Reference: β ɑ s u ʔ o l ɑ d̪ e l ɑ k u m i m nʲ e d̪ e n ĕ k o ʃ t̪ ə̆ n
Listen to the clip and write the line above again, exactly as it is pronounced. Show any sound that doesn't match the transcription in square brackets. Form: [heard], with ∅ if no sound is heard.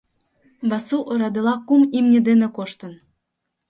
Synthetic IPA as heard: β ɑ s u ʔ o [ɾ] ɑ d̪ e l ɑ k u m i m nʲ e d̪ e n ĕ k o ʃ t̪ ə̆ n